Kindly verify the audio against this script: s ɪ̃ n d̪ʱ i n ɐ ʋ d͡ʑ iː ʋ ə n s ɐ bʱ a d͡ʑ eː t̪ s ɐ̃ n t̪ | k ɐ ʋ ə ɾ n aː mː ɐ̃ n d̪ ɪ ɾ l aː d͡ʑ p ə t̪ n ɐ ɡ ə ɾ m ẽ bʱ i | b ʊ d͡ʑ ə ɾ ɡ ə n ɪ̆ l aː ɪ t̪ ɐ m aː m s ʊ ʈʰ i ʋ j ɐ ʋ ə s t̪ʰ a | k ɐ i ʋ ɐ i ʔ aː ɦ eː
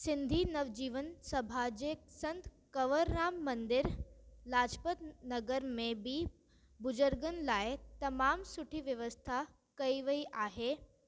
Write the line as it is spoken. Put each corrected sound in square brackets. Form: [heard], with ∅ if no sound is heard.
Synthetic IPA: s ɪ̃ n d̪ʱ i n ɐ ʋ d͡ʑ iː ʋ ə n s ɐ bʱ a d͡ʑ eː [∅] s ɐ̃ n t̪ | k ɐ ʋ ə ɾ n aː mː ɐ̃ n d̪ ɪ ɾ l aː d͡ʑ p ə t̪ n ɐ ɡ ə ɾ m ẽ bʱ i | b ʊ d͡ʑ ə ɾ ɡ ə n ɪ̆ l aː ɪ t̪ ɐ m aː m s ʊ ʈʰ i ʋ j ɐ ʋ ə s t̪ʰ a | k ɐ i ʋ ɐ i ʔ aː ɦ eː

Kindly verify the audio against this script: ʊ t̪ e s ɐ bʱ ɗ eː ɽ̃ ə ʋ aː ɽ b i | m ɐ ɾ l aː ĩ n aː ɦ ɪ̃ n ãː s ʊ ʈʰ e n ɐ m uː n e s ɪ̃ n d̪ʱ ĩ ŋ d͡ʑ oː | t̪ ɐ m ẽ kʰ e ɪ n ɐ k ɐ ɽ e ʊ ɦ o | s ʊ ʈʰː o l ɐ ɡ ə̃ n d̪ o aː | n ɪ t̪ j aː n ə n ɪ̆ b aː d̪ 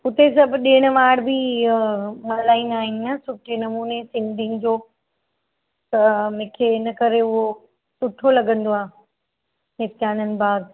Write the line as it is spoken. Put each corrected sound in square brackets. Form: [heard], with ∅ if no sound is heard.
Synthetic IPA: ʊ t̪ e s ɐ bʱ ɗ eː ɽ̃ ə ʋ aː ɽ b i | m ɐ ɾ l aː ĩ n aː ɦ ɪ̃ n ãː s ʊ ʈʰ e n ɐ m uː n e s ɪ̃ n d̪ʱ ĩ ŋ d͡ʑ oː | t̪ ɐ m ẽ kʰ e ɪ n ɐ k ɐ [ɾ] e ʊ ɦ o | s ʊ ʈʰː o l ɐ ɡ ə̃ n d̪ o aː | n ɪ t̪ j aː n ə n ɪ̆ b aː d̪

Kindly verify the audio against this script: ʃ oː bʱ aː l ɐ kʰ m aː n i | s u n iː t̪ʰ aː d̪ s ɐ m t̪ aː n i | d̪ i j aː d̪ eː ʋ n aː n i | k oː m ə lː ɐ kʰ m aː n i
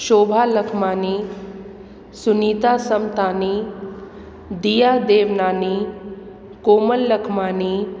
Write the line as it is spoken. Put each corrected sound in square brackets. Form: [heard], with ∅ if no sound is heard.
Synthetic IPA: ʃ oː bʱ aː l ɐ kʰ m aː n i | s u n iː [t̪] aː [∅] s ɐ m t̪ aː n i | d̪ i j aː d̪ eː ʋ n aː n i | k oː m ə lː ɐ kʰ m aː n i

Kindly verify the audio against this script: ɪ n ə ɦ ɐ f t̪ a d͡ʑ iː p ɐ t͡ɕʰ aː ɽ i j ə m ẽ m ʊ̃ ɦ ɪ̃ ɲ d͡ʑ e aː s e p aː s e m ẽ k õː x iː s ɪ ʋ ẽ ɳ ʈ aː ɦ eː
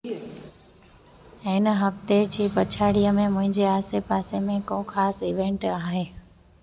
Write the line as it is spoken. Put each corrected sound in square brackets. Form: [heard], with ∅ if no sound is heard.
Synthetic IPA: ɪ n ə ɦ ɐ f t̪ [e] d͡ʑ iː p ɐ t͡ɕʰ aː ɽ i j ə m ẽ m ʊ̃ ɦ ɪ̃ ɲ d͡ʑ e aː s e p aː s e m ẽ k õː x [aː] s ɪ ʋ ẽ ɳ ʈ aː ɦ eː

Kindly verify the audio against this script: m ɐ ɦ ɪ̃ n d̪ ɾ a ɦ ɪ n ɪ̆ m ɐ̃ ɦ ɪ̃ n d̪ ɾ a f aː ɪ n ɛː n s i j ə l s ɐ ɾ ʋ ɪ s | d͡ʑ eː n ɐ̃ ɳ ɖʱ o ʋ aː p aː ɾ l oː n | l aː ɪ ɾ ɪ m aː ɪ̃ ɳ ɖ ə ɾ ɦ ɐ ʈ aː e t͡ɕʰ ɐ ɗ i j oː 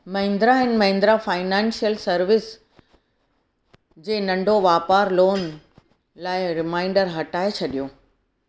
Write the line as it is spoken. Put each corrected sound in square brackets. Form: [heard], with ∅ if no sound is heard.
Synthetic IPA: m ɐ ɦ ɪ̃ n d̪ ɾ a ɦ ɪ n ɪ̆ m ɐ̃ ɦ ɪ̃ n d̪ ɾ a f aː ɪ n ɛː n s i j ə l s ɐ ɾ ʋ ɪ s | d͡ʑ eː n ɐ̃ ɳ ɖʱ o ʋ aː p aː ɾ l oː n | l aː ɪ ɾ ɪ m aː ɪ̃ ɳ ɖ ə ɾ ɦ ɐ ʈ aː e t͡ɕʰ ɐ ɗ i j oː

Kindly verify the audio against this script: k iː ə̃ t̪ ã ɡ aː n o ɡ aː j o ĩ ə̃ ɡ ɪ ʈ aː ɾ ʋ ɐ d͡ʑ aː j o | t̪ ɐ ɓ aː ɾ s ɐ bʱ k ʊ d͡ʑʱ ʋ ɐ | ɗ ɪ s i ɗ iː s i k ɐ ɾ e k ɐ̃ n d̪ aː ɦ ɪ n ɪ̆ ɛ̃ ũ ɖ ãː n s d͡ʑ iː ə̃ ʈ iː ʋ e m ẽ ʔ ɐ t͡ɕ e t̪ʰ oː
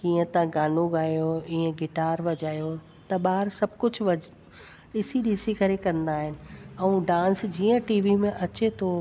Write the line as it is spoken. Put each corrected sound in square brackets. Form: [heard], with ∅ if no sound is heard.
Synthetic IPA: k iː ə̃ t̪ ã ɡ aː n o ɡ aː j o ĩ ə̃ ɡ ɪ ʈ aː ɾ ʋ ɐ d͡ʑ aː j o | t̪ ɐ ɓ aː ɾ s ɐ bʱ k ʊ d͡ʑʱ ʋ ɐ | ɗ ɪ s i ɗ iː s i k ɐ ɾ e k ɐ̃ n d̪ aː ɦ ɪ n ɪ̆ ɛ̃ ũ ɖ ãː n s d͡ʑ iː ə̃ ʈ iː ʋ [i] m ẽ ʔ ɐ t͡ɕ e t̪ʰ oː

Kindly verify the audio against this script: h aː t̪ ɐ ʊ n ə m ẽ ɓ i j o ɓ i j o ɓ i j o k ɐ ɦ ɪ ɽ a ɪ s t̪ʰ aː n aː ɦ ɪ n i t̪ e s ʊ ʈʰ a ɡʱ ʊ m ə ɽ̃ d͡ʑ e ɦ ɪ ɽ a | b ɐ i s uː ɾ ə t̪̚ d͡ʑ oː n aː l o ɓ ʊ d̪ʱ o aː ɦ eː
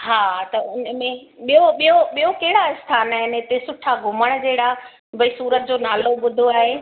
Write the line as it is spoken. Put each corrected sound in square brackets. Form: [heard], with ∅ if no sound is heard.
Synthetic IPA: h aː t̪ ɐ ʊ n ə m ẽ ɓ i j o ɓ i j o ɓ i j o k ɐ ɦ ɪ ɽ a ɪ s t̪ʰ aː n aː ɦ ɪ n [ɪ] t̪ e s ʊ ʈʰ a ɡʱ ʊ m ə ɽ̃ d͡ʑ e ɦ ɪ ɽ a | b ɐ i s uː ɾ ə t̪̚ d͡ʑ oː n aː l o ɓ ʊ d̪ʱ o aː ɦ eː

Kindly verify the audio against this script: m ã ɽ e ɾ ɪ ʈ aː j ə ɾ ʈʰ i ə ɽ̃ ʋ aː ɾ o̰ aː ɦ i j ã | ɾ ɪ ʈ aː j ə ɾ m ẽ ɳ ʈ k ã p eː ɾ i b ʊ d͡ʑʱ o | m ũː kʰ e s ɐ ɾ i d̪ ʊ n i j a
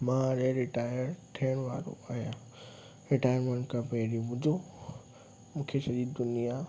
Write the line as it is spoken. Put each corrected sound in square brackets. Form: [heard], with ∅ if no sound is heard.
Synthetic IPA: m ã [ɾ] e ɾ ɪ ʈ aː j ə ɾ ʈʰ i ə ɽ̃ ʋ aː ɾ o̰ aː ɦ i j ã | ɾ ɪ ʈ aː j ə ɾ m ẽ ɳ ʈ k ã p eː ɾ i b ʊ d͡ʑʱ o | m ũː kʰ e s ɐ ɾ i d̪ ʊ n i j a

